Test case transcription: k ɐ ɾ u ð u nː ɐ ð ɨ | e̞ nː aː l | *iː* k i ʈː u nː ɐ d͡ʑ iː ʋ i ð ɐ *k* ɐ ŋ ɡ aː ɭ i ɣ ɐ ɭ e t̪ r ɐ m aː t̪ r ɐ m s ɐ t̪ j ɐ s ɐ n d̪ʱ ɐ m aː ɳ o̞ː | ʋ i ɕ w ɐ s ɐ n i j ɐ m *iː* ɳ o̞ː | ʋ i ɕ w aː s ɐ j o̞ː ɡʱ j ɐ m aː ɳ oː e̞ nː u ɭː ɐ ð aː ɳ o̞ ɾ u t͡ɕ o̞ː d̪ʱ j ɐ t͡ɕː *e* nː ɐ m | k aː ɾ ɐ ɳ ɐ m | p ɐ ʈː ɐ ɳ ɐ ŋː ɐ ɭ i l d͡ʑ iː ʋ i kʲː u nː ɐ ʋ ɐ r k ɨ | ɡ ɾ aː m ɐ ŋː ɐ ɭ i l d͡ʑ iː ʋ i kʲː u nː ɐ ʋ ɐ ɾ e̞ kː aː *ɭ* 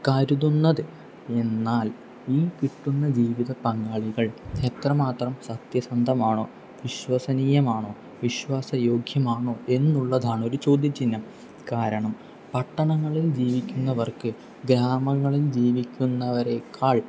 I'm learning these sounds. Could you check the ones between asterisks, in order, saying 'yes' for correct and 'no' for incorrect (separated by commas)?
yes, no, no, no, yes